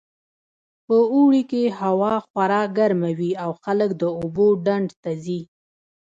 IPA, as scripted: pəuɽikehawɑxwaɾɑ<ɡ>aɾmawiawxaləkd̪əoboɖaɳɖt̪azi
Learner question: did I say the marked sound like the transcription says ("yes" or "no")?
yes